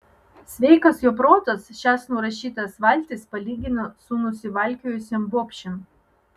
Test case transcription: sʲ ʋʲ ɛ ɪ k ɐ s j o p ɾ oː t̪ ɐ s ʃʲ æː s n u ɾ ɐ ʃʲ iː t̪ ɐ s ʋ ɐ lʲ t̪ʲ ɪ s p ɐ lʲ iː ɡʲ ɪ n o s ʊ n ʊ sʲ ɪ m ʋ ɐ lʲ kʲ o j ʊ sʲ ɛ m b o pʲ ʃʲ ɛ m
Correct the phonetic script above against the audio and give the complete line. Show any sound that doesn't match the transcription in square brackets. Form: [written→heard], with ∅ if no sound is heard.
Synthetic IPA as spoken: sʲ ʋʲ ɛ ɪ k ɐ s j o p ɾ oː t̪ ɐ s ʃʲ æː s n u ɾ ɐ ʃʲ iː t̪ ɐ s ʋ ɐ lʲ t̪ʲ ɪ s p ɐ lʲ iː ɡʲ ɪ n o s ʊ n ʊ sʲ ɪ [m→∅] ʋ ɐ lʲ kʲ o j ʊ sʲ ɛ m b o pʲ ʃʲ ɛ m